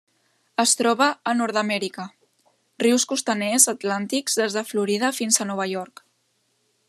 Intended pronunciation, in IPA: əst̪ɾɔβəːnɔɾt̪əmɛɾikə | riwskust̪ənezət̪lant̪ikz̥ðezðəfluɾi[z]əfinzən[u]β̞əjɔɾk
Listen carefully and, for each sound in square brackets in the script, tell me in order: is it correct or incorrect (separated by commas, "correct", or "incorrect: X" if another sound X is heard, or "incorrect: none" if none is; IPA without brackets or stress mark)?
incorrect: ð, incorrect: ɔ